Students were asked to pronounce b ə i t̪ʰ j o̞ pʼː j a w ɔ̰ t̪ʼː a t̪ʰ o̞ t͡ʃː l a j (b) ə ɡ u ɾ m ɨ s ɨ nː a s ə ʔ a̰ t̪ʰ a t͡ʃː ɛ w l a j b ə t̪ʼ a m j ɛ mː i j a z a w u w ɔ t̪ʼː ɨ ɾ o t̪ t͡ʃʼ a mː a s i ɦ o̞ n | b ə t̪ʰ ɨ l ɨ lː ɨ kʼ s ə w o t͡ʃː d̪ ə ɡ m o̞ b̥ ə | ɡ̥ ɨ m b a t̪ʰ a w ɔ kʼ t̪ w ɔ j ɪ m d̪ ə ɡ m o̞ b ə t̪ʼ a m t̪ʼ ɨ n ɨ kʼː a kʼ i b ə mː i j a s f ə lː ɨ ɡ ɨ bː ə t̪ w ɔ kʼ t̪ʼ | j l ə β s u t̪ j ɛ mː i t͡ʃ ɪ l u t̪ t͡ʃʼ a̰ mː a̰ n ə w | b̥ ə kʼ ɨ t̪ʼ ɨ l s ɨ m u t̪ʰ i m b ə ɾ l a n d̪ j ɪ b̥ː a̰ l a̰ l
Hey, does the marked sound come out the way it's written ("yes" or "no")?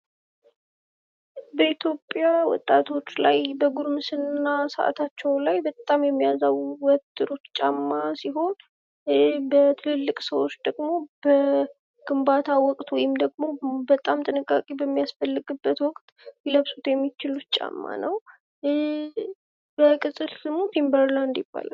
yes